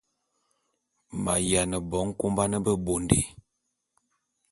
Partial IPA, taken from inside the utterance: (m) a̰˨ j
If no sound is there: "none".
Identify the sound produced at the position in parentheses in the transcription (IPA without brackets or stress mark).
m